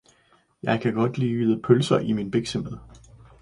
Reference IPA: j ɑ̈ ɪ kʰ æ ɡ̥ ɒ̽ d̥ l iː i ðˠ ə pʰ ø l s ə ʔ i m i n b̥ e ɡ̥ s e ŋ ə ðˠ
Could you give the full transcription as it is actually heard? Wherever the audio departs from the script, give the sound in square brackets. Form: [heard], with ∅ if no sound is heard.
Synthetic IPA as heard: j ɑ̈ ɪ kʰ æ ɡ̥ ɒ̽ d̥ l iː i ðˠ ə pʰ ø l s [ɐ] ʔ i m i n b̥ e ɡ̥ s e [m] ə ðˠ